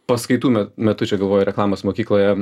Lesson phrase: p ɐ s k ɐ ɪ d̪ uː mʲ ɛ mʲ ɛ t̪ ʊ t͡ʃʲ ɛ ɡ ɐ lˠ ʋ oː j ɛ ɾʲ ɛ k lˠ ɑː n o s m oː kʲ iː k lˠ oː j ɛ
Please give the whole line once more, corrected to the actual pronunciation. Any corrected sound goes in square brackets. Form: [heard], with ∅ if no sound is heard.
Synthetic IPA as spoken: p ɐ s k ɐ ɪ [t̪] uː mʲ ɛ mʲ ɛ t̪ ʊ t͡ʃʲ ɛ ɡ ɐ lˠ ʋ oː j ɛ ɾʲ ɛ k lˠ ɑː [m] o s m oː kʲ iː k lˠ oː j ɛ